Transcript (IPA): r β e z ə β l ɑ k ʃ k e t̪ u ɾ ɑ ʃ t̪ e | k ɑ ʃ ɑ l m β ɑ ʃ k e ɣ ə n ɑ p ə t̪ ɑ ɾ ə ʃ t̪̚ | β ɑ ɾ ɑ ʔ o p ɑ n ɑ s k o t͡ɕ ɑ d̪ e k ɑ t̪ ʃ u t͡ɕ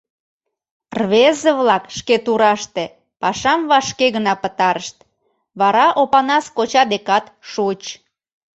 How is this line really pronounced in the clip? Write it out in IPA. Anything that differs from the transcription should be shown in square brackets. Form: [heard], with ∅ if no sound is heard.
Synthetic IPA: r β e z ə β l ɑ k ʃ k e t̪ u ɾ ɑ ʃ t̪ e | [p] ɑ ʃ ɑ [∅] m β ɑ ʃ k e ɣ ə n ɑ p ə t̪ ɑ ɾ ə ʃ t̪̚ | β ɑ ɾ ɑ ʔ o p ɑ n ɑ s k o t͡ɕ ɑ d̪ e k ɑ t̪ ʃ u t͡ɕ

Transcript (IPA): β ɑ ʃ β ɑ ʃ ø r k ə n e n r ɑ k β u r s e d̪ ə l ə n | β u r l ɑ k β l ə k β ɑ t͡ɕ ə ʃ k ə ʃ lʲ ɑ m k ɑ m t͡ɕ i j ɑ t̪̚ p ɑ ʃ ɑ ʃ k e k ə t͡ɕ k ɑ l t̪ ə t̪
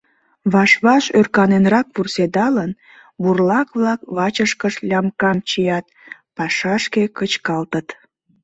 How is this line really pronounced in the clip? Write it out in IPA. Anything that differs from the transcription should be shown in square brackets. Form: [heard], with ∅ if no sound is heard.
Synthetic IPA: β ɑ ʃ β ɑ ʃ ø r k [ɑ] n e n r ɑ k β u r s e d̪ [ɑ] l ə n | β u r l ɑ k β l [ɑ] k β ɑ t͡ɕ ə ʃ k ə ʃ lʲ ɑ m k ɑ m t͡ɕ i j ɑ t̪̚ p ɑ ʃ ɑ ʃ k e k ə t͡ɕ k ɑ l t̪ ə t̪

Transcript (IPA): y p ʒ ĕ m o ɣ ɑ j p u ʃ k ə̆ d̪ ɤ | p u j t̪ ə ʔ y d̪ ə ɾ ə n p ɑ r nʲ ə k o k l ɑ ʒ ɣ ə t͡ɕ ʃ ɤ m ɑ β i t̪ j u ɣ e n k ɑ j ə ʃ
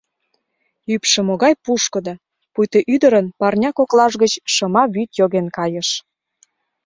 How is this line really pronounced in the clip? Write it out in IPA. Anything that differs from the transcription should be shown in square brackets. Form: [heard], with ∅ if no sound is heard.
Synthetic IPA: y p [ʃ] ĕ m o ɣ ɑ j p u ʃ k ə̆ d̪ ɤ | p u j t̪ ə ʔ y d̪ ə ɾ ə n p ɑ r nʲ [ɑ] k o k l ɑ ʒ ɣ ə t͡ɕ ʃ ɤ m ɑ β [y] t̪ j [o] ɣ e n k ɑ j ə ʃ

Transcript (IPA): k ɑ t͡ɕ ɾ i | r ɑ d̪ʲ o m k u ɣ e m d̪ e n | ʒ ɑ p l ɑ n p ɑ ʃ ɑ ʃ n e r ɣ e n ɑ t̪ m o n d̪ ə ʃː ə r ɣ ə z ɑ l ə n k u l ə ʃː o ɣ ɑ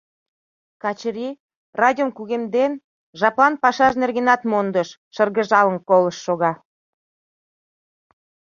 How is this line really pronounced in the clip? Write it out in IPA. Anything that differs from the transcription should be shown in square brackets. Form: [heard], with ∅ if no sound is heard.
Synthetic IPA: k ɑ t͡ɕ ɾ i | r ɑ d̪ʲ o m k u ɣ e m d̪ e n | ʒ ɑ p l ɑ n p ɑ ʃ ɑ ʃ n e r ɣ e n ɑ t̪ m o n d̪ ə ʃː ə r ɣ ə [ʒ] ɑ l ə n k [o] l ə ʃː o ɣ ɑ

